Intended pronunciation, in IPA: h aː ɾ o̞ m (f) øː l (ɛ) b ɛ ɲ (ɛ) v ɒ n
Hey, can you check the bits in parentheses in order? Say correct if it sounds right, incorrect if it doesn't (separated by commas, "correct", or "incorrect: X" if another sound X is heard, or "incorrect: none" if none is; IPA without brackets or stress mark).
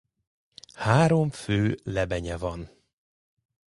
correct, correct, correct